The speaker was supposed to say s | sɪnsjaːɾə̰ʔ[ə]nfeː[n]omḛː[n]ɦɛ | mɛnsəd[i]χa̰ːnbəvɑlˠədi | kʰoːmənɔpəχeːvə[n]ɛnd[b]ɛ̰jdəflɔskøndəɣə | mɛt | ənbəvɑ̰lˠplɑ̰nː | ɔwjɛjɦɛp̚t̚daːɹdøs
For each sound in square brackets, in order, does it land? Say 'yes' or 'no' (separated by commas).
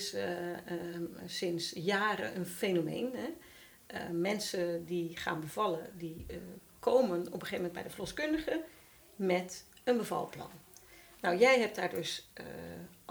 yes, yes, yes, yes, no, yes